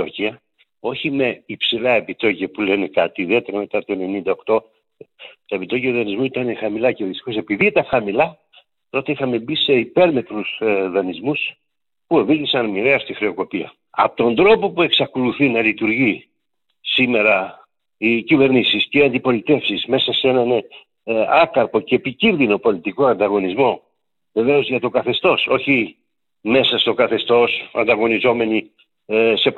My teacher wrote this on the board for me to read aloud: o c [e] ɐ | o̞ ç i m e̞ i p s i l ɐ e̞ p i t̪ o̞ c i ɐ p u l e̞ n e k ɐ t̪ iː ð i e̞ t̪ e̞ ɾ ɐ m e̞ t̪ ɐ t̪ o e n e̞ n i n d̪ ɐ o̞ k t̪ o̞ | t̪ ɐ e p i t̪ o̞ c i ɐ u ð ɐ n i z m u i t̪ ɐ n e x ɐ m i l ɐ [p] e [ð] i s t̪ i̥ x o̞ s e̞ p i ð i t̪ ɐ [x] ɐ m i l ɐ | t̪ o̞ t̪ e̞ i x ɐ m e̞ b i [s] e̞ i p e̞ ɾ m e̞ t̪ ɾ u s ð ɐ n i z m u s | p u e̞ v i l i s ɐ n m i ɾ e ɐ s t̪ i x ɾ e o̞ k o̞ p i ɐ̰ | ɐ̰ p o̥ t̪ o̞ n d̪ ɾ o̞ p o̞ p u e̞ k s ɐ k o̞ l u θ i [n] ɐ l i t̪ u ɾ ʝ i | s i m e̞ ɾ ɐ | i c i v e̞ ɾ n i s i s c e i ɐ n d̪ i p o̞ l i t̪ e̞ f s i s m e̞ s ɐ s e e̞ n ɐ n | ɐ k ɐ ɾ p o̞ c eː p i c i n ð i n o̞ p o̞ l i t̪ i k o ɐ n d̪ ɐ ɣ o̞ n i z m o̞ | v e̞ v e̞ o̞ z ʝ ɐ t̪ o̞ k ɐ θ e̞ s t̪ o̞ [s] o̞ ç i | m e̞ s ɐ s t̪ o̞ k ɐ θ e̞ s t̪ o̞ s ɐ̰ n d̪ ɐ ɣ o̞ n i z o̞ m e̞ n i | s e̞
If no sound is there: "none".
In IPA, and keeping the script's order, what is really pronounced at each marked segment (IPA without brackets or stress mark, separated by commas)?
i, c, ð, x, s, n, s